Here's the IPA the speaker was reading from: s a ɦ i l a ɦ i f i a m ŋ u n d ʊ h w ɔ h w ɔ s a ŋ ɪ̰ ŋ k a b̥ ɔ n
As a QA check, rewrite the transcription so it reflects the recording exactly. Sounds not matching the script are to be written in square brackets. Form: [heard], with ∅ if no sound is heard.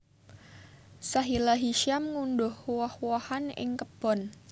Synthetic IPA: s a ɦ i l a ɦ i [ʃ] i a m ŋ u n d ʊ h w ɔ h w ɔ [h] a [n] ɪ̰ ŋ k [ə] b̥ ɔ n